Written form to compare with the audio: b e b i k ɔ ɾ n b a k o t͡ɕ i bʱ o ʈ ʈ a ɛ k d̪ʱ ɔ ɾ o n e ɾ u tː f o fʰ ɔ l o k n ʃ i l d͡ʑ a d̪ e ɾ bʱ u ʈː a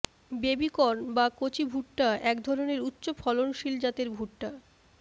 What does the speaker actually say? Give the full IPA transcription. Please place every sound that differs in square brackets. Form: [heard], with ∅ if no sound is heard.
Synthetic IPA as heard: b e b i k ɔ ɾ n b a k o t͡ɕ i bʱ [u] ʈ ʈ a ɛ k d̪ʱ ɔ ɾ o n e ɾ u tː [ɕ] o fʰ ɔ l o [∅] n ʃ i l d͡ʑ a [t̪] e ɾ bʱ u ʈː a

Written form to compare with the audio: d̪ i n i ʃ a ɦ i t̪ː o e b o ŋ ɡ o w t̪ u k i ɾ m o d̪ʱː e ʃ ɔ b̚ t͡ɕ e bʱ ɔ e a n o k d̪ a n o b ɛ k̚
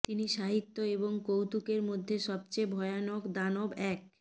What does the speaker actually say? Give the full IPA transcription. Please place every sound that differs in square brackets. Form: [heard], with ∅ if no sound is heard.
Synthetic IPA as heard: [t̪] i n i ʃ a ɦ i t̪ː o e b o ŋ [k] o w t̪ u k [e] ɾ m o d̪ʱː e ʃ ɔ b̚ t͡ɕ e bʱ ɔ e a n o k d̪ a n o b ɛ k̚

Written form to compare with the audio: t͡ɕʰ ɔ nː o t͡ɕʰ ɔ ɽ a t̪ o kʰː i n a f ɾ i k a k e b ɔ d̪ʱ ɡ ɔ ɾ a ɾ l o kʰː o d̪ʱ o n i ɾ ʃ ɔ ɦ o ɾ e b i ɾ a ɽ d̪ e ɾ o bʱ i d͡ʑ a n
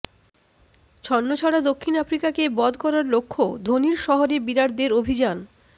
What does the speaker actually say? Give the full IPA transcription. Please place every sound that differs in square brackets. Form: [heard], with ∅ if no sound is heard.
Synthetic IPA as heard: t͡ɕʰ ɔ nː o t͡ɕʰ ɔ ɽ a [d̪] o kʰː i n a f ɾ i k a k e b ɔ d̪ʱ [k] ɔ ɾ a ɾ l o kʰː o d̪ʱ o n i ɾ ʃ ɔ ɦ o ɾ e b i ɾ a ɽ d̪ e ɾ o bʱ i d͡ʑ a n

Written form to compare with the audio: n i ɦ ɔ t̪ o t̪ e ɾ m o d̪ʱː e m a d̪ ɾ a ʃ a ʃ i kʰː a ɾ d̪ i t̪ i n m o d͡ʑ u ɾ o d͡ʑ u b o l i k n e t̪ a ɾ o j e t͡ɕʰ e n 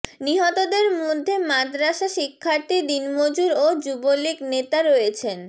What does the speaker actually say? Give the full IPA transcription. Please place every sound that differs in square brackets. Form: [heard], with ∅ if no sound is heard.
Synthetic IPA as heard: n i ɦ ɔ t̪ o [d̪] e ɾ m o d̪ʱː e m a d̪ ɾ a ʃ a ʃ i kʰː a ɾ [t̪] i [d̪] i n m o d͡ʑ u ɾ o d͡ʑ u b o l i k n e t̪ a ɾ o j e t͡ɕʰ e n

